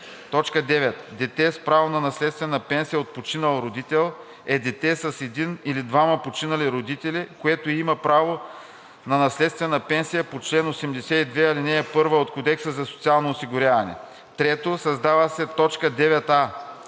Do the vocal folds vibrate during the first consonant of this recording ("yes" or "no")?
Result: no